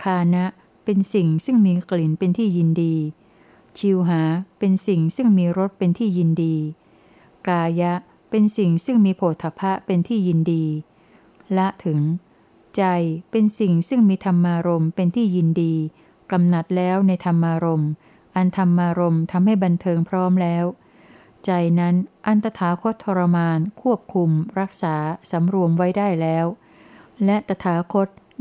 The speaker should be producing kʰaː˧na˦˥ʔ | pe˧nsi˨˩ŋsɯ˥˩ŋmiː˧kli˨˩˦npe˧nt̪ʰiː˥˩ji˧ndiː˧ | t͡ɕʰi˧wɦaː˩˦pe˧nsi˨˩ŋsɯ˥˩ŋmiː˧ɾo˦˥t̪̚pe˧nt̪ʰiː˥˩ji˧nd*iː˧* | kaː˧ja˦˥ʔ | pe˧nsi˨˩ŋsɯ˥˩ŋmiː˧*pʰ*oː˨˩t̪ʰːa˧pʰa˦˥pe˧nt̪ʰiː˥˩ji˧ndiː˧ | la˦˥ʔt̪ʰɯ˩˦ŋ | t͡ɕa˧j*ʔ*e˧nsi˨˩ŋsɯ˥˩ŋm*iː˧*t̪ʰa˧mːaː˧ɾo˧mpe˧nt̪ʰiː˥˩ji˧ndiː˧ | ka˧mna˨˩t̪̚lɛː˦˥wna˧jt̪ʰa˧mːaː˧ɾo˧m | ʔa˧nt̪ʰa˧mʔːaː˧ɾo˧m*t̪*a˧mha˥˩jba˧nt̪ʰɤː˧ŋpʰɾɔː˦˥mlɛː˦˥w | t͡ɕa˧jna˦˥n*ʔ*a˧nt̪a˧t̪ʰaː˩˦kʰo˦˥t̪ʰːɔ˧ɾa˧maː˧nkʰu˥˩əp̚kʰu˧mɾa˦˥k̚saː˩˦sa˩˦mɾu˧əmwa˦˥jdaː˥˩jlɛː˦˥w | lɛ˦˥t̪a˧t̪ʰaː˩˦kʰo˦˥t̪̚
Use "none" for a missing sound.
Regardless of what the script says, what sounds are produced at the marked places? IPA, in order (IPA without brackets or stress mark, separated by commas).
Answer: iː˧, pʰ, p, iː˧, t̪ʰ, ʔ